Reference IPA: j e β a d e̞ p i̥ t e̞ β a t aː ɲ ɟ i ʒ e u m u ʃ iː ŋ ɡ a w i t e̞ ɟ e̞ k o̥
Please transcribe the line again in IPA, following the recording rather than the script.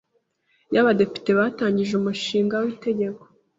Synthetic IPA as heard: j a β a d e̞ p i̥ t e̞ β a t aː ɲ ɟ i ʒ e u m u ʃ iː ŋ ɡ a w i t e̞ ɟ e̞ k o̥